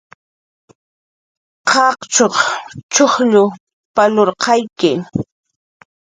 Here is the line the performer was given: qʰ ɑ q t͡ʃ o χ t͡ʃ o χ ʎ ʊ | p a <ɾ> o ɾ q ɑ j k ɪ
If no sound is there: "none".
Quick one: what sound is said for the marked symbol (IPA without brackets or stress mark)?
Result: l